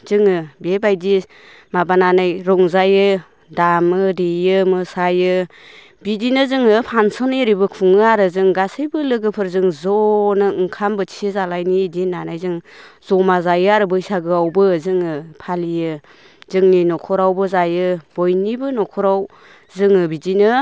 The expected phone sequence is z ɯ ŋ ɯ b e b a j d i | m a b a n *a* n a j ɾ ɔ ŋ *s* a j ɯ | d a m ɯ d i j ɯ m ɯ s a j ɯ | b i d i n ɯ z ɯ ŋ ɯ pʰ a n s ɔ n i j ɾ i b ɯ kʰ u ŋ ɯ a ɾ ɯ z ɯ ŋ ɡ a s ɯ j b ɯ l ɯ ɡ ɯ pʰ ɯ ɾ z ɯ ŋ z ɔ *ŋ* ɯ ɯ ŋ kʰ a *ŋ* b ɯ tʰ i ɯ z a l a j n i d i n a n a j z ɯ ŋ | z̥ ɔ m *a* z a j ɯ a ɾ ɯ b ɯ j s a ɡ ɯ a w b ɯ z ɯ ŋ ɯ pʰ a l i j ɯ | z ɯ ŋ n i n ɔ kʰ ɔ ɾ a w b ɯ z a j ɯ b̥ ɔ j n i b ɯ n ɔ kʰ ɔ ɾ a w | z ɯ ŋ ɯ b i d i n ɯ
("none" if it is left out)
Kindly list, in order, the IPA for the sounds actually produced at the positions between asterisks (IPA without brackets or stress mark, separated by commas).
a, z, n, m, a